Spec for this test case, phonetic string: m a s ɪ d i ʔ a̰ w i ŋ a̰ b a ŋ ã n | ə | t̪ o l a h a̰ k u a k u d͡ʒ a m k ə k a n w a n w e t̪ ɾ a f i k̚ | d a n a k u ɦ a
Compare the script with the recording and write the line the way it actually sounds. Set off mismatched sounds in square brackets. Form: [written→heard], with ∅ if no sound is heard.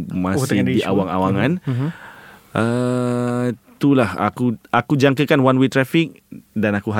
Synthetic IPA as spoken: m a s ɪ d i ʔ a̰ w [i→a] ŋ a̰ [b→w] a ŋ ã n | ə | t̪ [o→u] l a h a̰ k u a k u d͡ʒ a [m→ŋ] k ə k a n w a n w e t̪ ɾ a f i k̚ | d a n a k u ɦ a